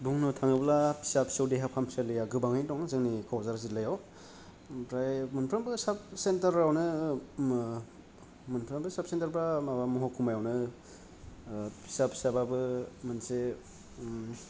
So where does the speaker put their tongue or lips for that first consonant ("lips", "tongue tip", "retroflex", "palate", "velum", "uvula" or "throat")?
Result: lips